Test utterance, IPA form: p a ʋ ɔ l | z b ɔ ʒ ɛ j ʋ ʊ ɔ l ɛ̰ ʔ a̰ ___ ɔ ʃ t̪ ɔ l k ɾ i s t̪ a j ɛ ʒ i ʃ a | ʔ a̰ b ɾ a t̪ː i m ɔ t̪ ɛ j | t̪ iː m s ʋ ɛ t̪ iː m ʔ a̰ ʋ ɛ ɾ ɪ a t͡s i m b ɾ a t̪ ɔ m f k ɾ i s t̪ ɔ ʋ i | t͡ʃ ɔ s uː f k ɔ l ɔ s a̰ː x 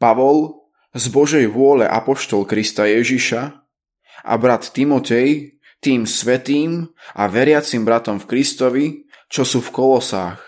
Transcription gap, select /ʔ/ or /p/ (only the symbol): p